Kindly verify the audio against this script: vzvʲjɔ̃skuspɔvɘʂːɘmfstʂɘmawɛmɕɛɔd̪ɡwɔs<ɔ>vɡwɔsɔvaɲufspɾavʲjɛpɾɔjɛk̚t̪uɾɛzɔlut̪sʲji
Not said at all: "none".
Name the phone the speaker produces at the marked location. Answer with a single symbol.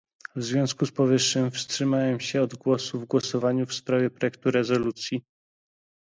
u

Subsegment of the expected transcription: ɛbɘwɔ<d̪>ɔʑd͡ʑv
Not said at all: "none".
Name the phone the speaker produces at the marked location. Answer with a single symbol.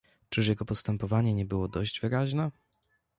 d̪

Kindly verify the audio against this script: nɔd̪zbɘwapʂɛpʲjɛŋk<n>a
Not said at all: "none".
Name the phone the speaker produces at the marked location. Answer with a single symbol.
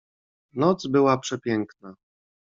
n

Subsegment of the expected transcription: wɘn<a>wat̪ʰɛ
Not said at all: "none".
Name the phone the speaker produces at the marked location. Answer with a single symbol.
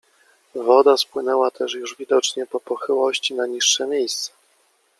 ɛ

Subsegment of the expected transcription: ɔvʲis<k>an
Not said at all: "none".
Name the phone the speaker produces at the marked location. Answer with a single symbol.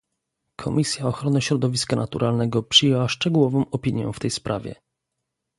k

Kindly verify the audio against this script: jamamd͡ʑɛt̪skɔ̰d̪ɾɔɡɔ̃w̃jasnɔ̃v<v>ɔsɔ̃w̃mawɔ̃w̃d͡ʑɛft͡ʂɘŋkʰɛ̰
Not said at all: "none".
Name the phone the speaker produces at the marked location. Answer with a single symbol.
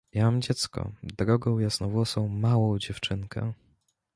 w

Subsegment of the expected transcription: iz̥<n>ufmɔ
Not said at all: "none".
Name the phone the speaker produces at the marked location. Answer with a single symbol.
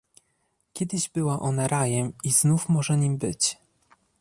n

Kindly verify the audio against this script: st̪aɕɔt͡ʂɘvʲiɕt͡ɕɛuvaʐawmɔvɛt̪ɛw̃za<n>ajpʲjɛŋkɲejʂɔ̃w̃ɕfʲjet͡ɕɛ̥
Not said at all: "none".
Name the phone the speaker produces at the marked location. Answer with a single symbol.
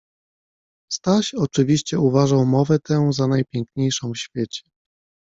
n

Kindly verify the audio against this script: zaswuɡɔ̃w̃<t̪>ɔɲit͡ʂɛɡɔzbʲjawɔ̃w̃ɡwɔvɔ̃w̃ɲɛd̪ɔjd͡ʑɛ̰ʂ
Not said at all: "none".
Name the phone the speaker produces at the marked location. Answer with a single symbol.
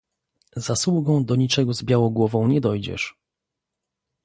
d̪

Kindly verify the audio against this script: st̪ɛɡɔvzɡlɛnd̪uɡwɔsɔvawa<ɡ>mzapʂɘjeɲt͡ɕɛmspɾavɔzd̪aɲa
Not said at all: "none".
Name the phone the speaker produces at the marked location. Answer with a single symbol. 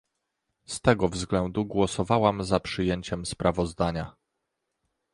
none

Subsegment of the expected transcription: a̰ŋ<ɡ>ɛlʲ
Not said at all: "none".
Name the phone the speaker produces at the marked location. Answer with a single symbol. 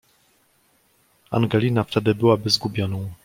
ɡ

